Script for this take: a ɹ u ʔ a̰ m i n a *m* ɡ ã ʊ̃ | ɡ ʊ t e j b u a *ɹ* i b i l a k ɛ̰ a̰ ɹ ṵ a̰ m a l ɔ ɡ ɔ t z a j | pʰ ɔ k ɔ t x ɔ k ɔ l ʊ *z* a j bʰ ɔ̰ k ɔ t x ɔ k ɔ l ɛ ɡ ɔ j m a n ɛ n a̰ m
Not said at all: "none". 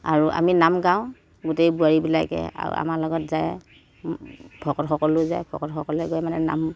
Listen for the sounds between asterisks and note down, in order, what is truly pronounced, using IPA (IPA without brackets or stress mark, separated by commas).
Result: m, ɹ, z